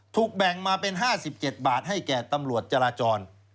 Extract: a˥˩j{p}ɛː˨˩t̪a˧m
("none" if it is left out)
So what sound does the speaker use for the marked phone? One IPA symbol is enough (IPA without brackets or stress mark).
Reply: k